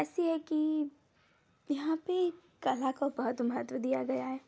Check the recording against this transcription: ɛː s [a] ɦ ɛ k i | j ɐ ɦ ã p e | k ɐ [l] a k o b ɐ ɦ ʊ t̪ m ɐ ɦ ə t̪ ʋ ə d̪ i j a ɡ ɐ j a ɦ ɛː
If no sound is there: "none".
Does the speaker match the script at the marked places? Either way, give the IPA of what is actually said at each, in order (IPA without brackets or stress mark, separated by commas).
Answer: i, l